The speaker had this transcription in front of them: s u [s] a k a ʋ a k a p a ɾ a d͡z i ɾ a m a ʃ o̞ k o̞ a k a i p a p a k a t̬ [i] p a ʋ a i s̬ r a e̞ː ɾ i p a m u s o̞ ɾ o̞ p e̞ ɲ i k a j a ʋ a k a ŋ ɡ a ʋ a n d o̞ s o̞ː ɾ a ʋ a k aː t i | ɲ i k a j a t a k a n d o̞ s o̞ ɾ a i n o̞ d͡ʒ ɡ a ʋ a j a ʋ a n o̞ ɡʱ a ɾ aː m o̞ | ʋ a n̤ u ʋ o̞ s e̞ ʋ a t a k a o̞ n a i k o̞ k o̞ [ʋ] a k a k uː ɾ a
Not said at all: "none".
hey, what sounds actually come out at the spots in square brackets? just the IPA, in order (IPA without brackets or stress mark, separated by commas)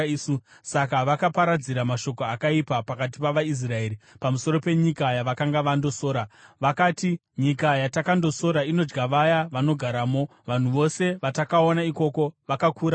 s, i, ʋ